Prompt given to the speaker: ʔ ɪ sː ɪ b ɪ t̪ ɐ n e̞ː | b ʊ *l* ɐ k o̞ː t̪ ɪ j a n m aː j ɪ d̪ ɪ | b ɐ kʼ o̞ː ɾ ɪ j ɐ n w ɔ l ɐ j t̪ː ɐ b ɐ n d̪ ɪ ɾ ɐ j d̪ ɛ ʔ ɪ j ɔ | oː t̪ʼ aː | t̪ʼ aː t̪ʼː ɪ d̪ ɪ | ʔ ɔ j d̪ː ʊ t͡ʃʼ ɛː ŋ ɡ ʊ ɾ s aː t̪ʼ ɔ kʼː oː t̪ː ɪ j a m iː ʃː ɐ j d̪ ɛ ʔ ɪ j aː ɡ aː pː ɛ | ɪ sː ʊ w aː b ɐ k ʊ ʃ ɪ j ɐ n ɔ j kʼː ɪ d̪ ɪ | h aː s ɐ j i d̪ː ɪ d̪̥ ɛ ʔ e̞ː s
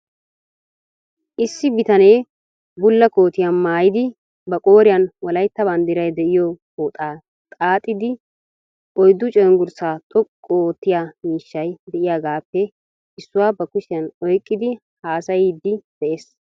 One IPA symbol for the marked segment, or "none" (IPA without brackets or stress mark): lː